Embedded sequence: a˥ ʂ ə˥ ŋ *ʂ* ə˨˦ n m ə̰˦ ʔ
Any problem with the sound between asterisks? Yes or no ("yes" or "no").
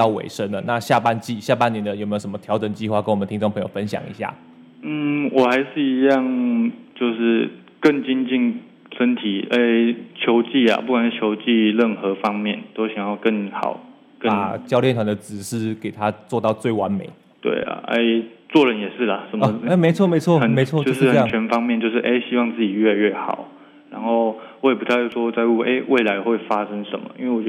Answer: no